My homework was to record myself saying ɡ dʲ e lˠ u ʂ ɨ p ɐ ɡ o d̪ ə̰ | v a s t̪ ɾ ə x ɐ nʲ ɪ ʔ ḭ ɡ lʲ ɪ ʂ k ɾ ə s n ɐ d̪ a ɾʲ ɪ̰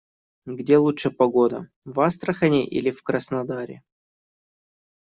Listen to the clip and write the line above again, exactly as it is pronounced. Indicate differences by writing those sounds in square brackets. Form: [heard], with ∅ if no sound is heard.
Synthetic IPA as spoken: ɡ dʲ e lˠ u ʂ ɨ p ɐ ɡ o d̪ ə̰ | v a s t̪ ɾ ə x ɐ nʲ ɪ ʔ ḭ [∅] lʲ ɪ [f] k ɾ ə s n ɐ d̪ a ɾʲ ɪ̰